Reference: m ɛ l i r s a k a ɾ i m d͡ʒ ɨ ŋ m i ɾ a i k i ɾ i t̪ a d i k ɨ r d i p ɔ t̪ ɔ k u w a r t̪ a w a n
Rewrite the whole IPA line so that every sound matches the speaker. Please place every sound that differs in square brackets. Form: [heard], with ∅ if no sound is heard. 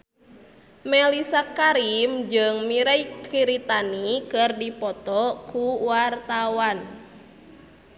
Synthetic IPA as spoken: m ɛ l i [∅] s a k a ɾ i m d͡ʒ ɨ ŋ m i ɾ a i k i ɾ i t̪ a [n] i k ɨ r d i p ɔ t̪ ɔ k u w a r t̪ a w a n